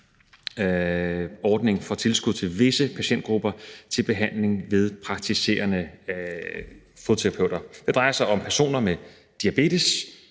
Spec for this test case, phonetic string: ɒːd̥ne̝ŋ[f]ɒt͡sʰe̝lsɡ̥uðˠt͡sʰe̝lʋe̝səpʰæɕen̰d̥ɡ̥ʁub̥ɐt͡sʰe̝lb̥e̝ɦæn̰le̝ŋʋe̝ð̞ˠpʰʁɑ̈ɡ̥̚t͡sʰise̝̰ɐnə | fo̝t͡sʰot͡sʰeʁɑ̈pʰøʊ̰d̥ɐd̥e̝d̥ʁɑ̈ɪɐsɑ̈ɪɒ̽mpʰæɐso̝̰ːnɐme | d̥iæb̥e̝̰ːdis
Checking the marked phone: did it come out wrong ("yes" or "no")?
no